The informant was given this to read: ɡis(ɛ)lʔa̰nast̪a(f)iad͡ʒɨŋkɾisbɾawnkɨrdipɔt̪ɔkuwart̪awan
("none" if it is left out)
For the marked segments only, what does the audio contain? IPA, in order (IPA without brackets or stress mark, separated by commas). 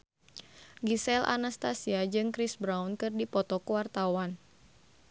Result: ɛ, s